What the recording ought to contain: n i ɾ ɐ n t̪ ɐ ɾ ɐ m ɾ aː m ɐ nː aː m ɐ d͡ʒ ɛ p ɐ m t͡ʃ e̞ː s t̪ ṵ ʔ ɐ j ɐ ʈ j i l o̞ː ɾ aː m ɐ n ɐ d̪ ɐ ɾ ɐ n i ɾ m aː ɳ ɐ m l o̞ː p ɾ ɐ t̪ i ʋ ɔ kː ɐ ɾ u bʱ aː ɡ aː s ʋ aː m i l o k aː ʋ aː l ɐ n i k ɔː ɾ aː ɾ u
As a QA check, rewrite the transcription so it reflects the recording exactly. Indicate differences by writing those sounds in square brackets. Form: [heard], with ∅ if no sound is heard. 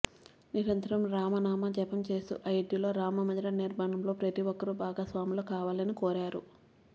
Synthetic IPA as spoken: n i ɾ ɐ n t̪ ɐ ɾ ɐ m ɾ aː m ɐ [n] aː m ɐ d͡ʒ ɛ p ɐ m t͡ʃ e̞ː s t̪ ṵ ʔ ɐ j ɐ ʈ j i l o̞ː ɾ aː m ɐ [m] ɐ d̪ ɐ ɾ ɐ n i ɾ m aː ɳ ɐ m l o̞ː p ɾ ɐ t̪ i ʋ ɔ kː ɐ ɾ u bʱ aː ɡ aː s ʋ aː m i l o k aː ʋ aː l ɐ n i k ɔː ɾ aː ɾ u